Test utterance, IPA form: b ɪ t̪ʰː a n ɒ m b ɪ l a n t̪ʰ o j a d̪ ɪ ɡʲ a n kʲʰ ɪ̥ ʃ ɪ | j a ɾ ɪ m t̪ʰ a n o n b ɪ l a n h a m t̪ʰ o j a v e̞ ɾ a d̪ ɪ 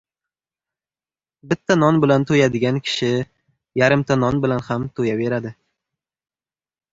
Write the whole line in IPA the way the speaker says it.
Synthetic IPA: b ɪ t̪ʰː a n ɒ n b ɪ l a n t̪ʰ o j a d̪ ɪ ɡʲ a n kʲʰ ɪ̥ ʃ ɪ | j a ɾ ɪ m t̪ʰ a n ɒ n b ɪ l a n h a m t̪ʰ o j a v e̞ ɾ a d̪ ɪ